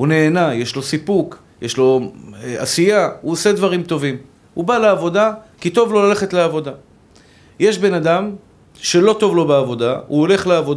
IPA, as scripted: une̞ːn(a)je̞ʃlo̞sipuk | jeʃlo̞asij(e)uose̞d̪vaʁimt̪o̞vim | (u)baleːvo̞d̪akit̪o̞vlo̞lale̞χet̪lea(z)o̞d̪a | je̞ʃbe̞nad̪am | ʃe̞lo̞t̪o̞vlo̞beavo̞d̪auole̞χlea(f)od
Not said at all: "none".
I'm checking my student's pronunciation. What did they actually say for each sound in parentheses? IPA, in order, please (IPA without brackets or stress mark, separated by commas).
a, a, u, v, v